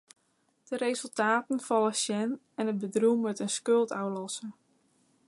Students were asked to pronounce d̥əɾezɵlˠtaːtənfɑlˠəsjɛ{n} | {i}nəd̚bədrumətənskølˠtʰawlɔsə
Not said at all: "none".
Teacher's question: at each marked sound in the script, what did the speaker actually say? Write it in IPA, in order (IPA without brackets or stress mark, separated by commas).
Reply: n, ɛ